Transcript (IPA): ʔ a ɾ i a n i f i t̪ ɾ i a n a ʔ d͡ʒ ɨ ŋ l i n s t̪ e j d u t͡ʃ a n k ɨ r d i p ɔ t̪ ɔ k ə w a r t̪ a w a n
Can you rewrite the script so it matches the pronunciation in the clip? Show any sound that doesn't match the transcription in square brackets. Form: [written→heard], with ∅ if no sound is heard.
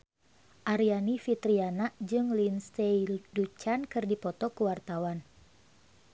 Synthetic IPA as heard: ʔ a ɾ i a n i f i t̪ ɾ i a n a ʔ d͡ʒ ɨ ŋ l i n s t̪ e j d u t͡ʃ a n k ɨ r d i p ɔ t̪ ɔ k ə w a r t̪ a w a n